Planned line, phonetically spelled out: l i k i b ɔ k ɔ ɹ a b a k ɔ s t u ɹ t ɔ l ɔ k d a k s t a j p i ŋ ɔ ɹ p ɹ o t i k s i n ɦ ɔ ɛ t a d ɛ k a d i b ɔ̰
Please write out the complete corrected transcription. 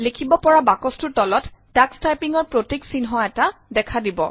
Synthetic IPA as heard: l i kʰ i b ɔ p ɔ ɹ a b a k ɔ s t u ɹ t ɔ l ɔ t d a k s t a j p i ŋ ɔ ɹ p ɹ o t i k s i n ɦ ɔ ɛ t a d ɛ kʰ a d i b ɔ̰